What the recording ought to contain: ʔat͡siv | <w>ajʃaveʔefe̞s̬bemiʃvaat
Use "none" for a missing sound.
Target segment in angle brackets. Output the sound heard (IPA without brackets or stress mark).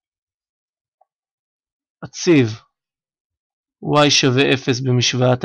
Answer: w